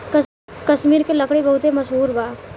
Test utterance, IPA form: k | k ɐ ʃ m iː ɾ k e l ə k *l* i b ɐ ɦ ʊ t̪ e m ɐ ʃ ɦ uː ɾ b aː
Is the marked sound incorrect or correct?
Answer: incorrect